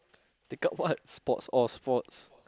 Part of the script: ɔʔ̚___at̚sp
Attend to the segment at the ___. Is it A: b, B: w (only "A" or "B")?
B